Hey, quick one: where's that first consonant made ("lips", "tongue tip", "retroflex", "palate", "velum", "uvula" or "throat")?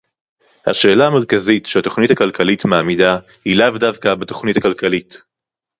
throat